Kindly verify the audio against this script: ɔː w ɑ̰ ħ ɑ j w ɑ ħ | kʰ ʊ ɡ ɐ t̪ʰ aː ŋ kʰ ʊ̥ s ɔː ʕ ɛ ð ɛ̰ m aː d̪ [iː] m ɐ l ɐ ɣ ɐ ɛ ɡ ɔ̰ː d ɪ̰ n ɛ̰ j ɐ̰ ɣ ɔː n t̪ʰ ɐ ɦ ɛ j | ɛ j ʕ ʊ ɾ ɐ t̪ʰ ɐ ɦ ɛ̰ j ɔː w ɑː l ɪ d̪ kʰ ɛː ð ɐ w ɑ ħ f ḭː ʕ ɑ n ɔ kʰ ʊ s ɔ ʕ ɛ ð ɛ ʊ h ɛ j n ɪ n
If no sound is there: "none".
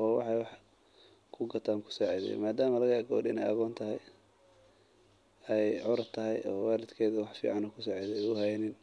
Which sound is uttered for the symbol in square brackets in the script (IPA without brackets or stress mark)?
aː